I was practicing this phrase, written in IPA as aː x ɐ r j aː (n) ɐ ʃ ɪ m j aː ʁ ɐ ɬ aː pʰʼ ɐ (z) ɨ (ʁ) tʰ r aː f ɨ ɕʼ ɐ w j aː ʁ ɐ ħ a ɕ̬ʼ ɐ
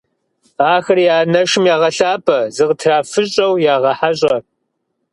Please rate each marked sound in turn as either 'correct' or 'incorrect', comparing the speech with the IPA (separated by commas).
correct, correct, correct